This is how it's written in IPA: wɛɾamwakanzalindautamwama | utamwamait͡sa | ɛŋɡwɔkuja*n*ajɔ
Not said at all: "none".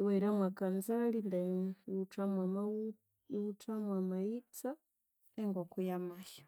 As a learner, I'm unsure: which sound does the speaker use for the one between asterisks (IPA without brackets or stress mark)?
m